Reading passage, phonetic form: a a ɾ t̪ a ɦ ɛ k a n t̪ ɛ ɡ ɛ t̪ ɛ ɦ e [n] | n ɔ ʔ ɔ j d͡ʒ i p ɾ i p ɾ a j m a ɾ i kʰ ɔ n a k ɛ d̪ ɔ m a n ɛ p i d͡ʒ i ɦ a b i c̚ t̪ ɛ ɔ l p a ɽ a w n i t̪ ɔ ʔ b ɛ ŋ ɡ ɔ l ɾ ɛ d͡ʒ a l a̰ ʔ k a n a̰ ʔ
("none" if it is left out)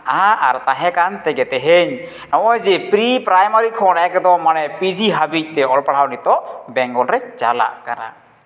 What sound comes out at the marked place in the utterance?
ɲ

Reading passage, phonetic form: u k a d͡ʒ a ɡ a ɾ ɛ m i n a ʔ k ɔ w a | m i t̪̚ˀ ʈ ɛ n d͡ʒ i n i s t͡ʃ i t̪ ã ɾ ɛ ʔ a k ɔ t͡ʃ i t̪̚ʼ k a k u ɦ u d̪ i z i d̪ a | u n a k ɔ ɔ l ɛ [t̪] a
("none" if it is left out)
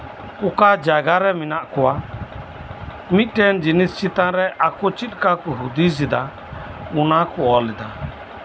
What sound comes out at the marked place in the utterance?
d̪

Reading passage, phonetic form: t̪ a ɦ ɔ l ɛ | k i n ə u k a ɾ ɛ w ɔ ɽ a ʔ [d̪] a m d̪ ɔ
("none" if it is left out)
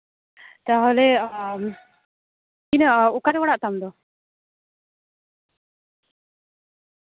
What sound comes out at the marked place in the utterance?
t̪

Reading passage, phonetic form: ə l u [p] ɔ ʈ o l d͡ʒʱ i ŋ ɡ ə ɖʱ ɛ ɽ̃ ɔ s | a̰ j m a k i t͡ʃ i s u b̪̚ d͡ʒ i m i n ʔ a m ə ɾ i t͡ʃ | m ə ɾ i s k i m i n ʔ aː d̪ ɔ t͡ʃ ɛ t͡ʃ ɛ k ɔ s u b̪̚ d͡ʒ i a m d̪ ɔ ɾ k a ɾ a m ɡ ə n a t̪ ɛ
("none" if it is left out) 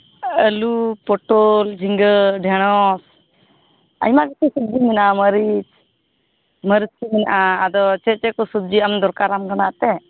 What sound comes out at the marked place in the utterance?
p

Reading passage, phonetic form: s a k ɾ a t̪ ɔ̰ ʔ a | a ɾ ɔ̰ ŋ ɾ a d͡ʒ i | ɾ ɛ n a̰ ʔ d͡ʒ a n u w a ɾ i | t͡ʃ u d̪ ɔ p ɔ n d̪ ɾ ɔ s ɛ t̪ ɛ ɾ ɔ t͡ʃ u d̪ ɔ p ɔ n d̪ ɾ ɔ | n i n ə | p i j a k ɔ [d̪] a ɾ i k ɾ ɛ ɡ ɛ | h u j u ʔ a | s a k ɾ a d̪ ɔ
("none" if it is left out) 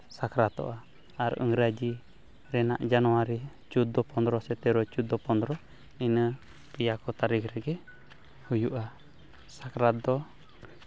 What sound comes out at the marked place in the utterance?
t̪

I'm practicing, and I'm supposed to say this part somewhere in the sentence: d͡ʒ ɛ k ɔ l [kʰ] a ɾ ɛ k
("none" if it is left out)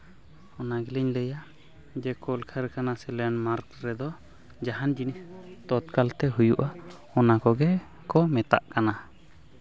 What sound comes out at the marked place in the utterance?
kʰ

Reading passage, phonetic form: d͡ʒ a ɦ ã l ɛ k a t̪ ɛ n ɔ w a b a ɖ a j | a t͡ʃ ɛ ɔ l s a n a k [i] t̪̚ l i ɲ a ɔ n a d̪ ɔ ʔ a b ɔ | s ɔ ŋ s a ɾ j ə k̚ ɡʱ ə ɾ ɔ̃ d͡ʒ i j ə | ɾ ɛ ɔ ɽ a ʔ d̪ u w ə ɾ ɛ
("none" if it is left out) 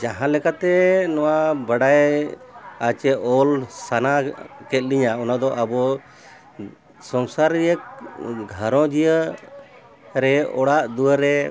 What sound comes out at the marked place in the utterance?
ɛ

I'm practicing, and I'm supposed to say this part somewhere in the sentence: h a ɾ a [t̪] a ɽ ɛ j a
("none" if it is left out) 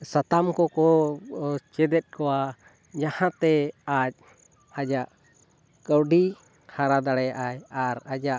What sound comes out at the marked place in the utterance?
d̪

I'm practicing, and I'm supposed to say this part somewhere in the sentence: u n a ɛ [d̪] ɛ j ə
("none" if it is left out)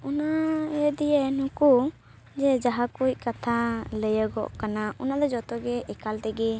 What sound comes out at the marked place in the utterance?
d̪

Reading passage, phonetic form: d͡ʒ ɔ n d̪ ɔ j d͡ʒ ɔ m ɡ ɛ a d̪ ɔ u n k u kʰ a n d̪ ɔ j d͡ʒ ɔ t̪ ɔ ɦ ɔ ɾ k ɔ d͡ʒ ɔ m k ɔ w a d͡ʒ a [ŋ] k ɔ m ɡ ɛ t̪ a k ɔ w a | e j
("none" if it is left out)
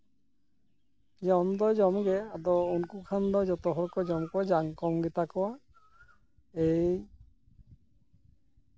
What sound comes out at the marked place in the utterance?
ŋ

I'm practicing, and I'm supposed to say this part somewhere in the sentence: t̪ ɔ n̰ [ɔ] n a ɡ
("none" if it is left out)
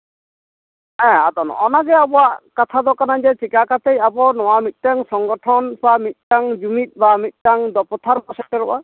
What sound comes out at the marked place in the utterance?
ɔ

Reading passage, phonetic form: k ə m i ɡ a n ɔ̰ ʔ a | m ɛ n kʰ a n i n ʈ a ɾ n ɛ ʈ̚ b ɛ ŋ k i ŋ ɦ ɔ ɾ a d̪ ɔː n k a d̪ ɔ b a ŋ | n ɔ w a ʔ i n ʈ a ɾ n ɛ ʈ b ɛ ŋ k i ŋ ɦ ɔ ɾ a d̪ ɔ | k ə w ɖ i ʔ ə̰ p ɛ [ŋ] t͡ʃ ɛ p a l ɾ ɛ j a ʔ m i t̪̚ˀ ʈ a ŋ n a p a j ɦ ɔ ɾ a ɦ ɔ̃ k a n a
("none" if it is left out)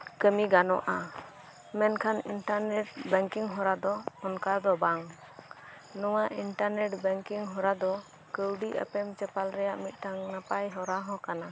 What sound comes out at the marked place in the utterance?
m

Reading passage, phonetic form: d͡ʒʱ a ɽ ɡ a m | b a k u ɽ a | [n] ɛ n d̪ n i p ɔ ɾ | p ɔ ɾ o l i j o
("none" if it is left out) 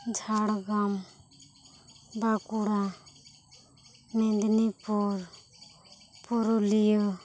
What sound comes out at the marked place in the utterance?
m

